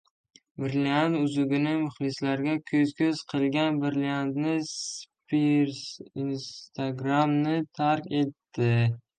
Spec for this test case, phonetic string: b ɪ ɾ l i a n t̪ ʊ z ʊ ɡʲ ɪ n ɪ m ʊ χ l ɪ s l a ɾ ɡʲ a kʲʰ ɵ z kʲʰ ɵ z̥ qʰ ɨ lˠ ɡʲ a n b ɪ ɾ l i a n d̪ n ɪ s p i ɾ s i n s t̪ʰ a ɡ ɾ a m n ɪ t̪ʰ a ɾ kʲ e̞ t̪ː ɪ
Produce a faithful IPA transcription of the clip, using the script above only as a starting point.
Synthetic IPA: b ɪ ɾ l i a n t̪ ʊ z ʊ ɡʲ ɪ n ɪ m ʊ χ l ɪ s l a ɾ ɡʲ a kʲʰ ɵ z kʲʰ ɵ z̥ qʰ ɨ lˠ ɡʲ a n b ɪ ɾ l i a n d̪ n ɪ s p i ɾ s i n s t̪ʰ a ɡ ɾ a m n ɪ t̪ʰ a ɾ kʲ e̞ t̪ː ɪ